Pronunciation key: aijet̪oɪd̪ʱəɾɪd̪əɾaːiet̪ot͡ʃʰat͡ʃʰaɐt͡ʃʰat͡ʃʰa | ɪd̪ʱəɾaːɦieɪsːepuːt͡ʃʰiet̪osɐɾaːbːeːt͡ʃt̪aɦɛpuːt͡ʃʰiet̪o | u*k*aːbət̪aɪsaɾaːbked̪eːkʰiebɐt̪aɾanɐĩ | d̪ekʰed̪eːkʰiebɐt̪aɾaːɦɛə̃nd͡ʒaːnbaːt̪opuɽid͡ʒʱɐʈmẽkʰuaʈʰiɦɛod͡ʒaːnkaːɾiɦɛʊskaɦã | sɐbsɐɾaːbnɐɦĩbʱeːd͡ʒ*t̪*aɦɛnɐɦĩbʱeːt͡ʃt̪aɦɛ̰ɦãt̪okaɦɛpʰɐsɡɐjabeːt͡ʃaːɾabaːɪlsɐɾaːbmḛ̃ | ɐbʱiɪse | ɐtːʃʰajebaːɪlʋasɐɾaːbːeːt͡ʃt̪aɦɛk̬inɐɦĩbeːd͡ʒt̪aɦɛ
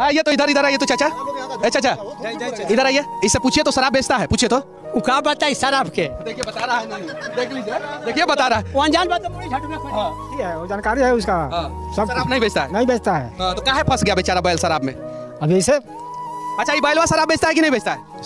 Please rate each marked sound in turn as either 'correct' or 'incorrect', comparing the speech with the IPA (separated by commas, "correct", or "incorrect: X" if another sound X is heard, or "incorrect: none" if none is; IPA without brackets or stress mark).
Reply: correct, correct